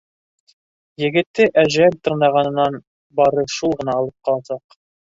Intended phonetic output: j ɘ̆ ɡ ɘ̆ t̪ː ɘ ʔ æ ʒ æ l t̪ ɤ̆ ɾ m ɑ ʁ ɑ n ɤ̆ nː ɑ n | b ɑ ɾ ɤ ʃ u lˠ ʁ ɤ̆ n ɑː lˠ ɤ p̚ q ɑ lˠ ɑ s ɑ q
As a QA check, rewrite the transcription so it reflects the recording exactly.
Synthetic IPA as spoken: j ɘ̆ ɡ ɘ̆ t̪ː ɘ ʔ æ ʒ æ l t̪ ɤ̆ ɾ n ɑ ʁ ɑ n ɤ̆ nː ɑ n | b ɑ ɾ ɤ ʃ u lˠ ʁ ɤ̆ n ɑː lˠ ɤ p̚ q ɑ lˠ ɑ s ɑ q